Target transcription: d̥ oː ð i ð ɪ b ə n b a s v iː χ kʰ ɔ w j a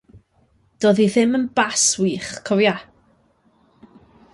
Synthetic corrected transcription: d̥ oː ð i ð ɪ m ə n b a s w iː χ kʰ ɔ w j a